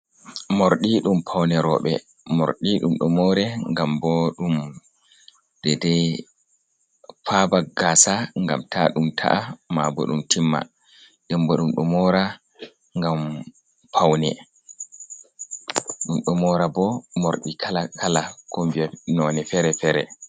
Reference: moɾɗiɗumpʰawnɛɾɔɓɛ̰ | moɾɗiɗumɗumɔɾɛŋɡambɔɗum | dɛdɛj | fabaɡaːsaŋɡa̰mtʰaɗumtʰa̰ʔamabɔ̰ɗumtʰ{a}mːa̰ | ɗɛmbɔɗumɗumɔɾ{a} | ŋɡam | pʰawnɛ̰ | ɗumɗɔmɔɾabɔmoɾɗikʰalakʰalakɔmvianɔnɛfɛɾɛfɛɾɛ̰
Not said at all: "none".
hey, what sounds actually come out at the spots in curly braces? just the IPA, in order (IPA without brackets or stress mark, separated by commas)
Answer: i, a